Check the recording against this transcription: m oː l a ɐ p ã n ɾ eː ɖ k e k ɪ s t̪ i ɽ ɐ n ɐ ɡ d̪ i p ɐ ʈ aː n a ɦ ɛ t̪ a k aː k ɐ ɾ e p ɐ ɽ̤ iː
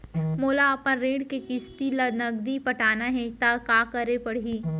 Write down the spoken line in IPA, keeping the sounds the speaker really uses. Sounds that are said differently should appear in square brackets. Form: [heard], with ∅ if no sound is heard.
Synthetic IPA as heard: m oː l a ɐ p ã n ɾ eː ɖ k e k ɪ s t̪ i [l] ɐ n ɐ ɡ d̪ i p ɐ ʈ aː n a ɦ ɛ t̪ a k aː k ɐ ɾ e p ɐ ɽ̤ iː